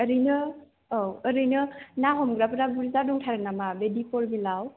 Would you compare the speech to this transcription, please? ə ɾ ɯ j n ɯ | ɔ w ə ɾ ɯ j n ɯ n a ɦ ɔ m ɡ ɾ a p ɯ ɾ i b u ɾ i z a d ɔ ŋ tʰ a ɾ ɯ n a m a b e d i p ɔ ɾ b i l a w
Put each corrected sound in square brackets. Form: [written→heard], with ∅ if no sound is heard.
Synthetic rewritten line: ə ɾ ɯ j n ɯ | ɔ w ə ɾ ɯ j n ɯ n a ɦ ɔ m ɡ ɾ a p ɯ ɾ [i→a] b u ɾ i z a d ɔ ŋ tʰ a ɾ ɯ n a m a b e d i p ɔ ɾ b i l a w